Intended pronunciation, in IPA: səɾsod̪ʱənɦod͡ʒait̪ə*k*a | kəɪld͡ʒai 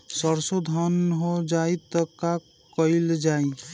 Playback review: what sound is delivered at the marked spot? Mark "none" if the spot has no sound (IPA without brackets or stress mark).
k